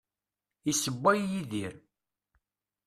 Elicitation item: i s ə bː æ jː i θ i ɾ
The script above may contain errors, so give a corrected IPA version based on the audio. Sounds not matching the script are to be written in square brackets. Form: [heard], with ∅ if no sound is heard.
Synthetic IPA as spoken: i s ə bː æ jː i [ð] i ɾ